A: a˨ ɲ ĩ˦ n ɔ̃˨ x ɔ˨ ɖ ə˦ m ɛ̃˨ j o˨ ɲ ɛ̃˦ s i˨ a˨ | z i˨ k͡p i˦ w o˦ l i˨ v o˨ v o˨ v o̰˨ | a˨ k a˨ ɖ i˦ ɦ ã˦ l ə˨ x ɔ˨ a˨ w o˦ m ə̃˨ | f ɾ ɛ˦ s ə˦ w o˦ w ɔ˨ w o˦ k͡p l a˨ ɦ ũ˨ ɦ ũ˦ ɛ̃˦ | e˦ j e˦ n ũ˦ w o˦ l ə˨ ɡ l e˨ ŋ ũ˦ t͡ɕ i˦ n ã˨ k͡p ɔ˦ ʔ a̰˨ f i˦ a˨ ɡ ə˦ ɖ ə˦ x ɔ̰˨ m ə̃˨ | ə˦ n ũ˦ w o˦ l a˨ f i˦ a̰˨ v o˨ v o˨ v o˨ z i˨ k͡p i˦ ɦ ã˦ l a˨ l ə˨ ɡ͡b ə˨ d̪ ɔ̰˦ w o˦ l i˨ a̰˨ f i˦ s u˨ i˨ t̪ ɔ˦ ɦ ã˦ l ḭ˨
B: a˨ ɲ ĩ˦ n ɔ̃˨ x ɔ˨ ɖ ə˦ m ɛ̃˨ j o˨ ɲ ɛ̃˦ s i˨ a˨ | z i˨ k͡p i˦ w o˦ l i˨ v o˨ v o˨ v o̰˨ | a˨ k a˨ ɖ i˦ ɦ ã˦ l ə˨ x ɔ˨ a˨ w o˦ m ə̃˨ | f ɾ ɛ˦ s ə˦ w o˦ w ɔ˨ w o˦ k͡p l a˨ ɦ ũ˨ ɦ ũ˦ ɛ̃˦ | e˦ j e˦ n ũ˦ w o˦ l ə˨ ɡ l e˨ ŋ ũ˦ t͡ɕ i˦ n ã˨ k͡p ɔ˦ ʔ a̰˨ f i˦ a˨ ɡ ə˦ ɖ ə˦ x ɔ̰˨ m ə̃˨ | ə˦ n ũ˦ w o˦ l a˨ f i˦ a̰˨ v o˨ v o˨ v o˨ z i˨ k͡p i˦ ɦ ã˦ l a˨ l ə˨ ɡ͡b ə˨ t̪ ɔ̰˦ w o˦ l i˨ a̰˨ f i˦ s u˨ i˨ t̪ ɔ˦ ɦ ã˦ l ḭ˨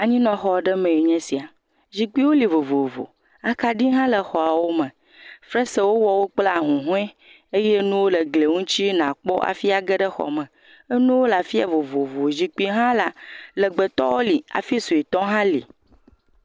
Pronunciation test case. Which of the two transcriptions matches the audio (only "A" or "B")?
B